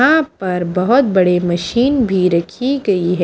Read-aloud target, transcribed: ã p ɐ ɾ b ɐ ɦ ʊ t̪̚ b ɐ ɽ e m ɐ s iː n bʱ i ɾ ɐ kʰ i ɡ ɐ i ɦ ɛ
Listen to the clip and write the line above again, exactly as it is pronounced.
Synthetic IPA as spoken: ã p ɐ ɾ b ɐ ɦ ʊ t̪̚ b ɐ ɽ e m ɐ ʃ iː n bʱ i ɾ ɐ kʰ i ɡ ɐ i ɦ ɛ